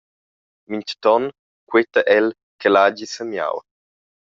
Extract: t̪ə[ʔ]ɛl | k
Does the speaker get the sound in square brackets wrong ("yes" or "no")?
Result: no